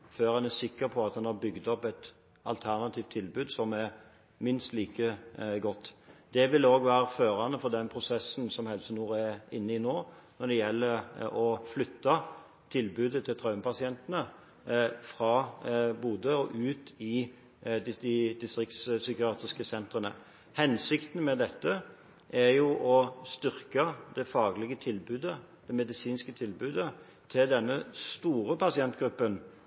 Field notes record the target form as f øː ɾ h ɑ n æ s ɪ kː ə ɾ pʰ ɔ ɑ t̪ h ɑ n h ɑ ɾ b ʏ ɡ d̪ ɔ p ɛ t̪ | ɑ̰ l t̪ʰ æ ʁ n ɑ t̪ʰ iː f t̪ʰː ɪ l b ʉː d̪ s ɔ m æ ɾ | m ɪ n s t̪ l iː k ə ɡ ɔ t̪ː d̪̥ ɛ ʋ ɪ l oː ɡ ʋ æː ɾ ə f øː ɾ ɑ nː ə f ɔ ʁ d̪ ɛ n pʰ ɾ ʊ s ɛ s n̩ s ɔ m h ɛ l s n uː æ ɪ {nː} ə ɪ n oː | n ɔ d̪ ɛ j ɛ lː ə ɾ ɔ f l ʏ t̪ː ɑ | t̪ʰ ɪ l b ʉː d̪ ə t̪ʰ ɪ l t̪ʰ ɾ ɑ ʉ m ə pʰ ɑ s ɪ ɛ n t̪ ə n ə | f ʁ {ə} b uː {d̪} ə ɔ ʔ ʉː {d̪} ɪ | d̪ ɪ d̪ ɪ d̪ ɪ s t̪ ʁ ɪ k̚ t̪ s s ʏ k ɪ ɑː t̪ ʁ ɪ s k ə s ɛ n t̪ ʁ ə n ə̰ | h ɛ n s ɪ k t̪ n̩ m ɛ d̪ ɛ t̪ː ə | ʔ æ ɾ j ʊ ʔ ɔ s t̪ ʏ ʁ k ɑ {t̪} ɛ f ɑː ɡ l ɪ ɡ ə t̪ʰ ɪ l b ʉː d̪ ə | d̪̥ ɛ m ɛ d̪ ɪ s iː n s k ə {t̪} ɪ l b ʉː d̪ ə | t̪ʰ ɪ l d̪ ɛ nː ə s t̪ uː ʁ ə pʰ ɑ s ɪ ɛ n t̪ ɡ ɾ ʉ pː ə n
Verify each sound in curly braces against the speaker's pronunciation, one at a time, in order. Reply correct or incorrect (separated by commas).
correct, incorrect, correct, incorrect, incorrect, incorrect